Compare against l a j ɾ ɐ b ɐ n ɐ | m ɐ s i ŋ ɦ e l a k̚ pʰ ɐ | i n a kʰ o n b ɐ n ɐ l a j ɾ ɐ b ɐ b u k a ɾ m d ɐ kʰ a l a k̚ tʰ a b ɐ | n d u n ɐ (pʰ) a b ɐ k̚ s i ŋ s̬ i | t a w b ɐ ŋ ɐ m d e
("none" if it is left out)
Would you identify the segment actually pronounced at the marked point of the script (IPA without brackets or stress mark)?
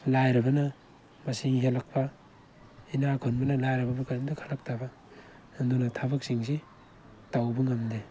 tʰ